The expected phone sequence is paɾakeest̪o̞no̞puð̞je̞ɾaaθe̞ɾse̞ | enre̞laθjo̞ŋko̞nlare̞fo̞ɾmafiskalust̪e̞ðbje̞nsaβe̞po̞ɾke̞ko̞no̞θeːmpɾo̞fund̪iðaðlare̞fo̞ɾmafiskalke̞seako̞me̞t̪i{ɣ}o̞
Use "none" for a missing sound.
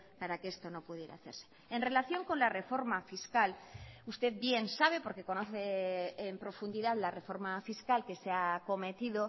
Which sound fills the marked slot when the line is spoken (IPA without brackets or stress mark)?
ð